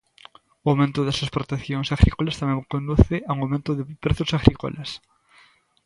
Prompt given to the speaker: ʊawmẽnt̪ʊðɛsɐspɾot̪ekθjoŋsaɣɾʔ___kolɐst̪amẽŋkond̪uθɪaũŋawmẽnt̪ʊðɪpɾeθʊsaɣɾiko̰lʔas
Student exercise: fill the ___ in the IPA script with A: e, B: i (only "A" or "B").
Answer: B